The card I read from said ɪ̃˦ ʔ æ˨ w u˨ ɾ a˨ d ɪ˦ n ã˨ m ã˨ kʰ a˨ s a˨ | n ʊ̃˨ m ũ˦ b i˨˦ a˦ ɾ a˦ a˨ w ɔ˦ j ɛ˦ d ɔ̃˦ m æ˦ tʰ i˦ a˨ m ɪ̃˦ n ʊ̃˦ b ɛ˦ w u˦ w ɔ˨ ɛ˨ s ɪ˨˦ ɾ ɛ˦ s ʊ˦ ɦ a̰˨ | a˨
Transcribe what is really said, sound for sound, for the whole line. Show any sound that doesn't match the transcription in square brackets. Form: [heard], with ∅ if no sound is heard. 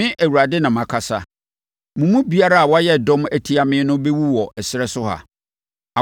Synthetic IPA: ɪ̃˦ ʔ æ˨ w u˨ ɾ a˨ d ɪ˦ n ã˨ m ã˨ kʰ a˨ s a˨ | [m] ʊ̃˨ m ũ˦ b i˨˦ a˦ ɾ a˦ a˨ w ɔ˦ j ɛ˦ d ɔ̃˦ m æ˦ tʰ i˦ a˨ m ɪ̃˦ n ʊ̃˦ b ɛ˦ w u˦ w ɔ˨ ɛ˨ s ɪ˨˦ ɾ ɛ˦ s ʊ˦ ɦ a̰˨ | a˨